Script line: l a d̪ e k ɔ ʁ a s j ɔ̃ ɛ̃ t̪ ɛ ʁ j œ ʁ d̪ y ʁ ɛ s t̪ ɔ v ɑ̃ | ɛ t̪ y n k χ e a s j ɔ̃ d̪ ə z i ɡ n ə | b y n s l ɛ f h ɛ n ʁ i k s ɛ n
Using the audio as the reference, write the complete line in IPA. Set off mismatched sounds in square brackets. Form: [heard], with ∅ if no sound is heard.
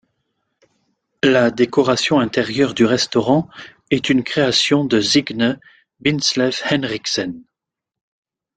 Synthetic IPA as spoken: l a d̪ e k ɔ ʁ a s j ɔ̃ ɛ̃ t̪ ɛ ʁ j œ ʁ d̪ y ʁ ɛ s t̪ ɔ [ʁ] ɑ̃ | ɛ t̪ y n k χ e a s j ɔ̃ d̪ ə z i ɡ n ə | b [i] n s l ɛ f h ɛ n ʁ i k s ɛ n